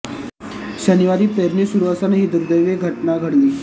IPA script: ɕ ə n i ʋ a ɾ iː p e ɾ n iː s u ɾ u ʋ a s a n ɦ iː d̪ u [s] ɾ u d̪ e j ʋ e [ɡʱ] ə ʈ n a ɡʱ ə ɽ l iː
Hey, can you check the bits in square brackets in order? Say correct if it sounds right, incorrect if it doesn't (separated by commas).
incorrect, correct